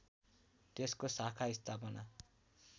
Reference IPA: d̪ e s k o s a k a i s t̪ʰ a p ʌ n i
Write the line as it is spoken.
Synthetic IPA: t̪ e s k o s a kʰ a i s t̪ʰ a p ʌ n a